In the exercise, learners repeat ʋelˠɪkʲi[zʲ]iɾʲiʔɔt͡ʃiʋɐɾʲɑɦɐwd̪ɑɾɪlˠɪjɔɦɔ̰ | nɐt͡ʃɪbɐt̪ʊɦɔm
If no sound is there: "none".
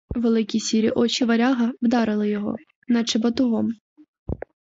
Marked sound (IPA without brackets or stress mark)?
sʲ